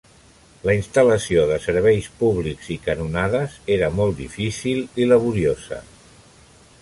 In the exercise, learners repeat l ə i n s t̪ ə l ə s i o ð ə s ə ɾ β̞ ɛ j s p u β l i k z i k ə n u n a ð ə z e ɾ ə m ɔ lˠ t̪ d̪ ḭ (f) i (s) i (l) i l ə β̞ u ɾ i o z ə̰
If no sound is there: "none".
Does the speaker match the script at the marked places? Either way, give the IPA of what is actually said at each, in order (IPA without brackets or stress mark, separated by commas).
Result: f, s, l